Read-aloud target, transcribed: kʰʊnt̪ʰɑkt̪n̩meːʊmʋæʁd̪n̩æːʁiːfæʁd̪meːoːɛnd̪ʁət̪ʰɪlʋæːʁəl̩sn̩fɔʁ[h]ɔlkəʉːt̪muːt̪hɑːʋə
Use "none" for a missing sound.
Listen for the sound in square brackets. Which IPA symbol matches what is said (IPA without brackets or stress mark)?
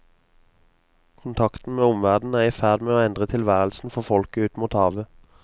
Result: f